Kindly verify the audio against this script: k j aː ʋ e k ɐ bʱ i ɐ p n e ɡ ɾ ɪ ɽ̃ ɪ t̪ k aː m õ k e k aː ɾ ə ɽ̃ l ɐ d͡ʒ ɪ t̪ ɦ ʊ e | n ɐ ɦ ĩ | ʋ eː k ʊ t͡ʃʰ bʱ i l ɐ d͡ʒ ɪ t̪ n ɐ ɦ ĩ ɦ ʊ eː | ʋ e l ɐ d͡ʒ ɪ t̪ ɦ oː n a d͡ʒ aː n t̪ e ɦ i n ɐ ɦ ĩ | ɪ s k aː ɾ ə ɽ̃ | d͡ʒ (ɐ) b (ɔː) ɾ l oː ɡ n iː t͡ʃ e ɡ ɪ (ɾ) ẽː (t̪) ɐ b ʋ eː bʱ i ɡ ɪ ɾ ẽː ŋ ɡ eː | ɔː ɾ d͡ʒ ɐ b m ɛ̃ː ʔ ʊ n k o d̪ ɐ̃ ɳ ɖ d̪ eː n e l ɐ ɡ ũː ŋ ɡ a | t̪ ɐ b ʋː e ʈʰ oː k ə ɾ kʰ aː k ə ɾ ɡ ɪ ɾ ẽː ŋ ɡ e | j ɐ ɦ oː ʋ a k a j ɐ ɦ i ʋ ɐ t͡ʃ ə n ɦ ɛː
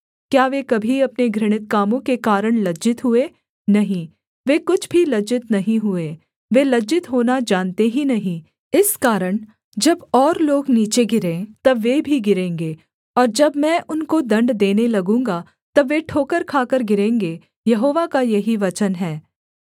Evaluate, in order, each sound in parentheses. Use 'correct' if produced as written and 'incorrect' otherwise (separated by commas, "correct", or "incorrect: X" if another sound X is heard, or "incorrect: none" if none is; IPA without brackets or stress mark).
correct, correct, correct, correct